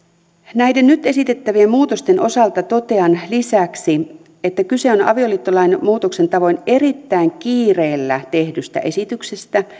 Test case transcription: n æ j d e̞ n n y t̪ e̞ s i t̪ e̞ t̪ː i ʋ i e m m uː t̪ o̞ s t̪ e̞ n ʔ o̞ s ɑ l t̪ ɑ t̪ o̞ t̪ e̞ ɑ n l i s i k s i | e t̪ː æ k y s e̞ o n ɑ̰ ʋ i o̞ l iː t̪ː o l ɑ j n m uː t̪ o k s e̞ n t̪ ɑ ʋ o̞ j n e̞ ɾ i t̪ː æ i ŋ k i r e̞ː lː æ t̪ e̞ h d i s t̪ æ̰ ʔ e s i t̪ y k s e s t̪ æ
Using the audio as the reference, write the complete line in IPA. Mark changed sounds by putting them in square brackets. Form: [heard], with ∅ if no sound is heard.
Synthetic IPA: n æ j d e̞ n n y t̪ e̞ s i t̪ e̞ t̪ː [æ] ʋ i e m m uː t̪ o̞ s t̪ e̞ n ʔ o̞ s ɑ l t̪ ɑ t̪ o̞ t̪ e̞ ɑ n l i s [æ] k s i | e t̪ː æ k y s e̞ o n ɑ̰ ʋ i o̞ l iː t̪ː o l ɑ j n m uː t̪ o k s e̞ n t̪ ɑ ʋ o̞ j n e̞ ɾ i t̪ː æ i ŋ k [iː] r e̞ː lː æ t̪ e̞ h d [y] s t̪ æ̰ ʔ e s i t̪ y k s e s t̪ æ